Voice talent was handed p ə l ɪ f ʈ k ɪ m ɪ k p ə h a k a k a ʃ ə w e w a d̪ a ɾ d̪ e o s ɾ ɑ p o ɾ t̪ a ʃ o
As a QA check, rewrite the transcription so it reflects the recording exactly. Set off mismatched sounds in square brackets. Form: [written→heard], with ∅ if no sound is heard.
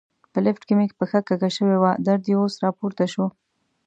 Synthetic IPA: p ə l ɪ f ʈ k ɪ m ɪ k p ə [h→x] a k a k a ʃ ə w e w a d̪ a ɾ d̪ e o s ɾ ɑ p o ɾ t̪ a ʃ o